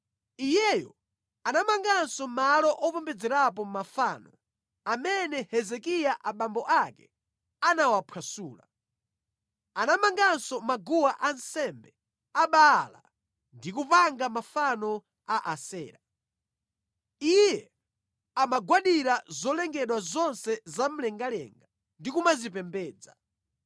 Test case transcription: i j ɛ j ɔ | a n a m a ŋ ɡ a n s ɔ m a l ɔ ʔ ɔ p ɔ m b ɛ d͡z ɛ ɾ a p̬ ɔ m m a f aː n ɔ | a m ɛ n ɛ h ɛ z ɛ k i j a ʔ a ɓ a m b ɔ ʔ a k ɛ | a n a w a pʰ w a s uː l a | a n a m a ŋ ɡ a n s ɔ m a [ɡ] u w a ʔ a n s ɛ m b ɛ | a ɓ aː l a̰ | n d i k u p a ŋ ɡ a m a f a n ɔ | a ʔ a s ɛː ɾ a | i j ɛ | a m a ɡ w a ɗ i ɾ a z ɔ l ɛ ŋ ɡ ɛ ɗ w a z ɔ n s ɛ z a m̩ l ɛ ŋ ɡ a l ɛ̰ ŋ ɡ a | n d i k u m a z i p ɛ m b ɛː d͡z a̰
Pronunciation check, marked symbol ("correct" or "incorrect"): correct